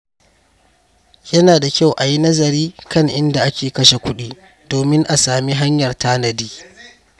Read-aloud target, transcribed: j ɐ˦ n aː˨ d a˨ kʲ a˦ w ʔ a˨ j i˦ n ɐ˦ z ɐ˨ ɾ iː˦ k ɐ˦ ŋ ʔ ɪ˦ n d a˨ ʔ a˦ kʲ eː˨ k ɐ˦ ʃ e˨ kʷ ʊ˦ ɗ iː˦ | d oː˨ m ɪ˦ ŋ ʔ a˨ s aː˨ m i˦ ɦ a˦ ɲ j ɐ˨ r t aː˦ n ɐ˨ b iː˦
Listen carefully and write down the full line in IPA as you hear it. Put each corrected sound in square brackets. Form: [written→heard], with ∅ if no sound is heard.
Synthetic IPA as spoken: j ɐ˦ n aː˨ d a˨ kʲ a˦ w ʔ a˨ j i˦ n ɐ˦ z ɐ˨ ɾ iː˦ k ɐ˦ ŋ ʔ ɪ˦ n d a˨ ʔ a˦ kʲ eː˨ k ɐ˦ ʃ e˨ kʷ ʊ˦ ɗ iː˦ | d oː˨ m ɪ˦ ŋ ʔ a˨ s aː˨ m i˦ ɦ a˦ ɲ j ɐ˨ r t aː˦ n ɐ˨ [b→d] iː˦